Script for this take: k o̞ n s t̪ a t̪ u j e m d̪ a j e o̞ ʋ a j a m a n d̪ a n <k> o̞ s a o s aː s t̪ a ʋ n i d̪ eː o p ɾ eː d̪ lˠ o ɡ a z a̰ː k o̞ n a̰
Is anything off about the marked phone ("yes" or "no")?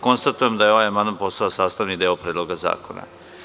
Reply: yes